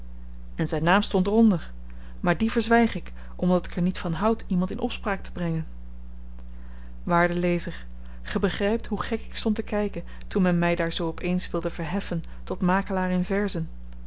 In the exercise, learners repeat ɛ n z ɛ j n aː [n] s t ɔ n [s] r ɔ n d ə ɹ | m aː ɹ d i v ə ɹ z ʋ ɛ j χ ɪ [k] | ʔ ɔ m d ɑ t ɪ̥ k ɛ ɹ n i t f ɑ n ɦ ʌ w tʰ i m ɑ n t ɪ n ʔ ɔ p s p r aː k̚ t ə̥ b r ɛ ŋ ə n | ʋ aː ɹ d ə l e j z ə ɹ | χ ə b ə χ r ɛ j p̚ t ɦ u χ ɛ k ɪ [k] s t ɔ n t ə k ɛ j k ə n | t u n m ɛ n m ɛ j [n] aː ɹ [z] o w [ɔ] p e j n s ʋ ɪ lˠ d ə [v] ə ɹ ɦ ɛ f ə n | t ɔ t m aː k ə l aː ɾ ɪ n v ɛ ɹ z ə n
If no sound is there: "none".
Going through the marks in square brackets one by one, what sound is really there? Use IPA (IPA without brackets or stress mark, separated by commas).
m, t, k, k, d, z, ɔ, v